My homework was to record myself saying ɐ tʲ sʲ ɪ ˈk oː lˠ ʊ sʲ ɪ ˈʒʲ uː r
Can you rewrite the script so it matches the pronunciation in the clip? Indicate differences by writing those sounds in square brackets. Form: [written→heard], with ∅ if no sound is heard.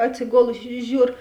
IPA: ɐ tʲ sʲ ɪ [ˈk→ˈɡ] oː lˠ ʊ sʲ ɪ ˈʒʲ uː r